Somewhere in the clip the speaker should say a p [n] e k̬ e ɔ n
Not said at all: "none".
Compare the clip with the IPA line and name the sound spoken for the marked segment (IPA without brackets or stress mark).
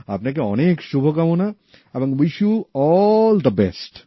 n